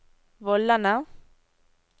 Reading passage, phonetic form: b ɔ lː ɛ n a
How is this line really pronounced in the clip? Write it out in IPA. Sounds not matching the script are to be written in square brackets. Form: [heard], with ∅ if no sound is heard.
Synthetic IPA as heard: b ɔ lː [a] n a